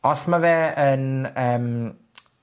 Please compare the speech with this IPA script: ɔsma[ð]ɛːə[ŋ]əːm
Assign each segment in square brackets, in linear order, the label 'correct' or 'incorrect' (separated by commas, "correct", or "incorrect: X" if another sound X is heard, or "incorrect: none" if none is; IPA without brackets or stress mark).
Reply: incorrect: v, incorrect: n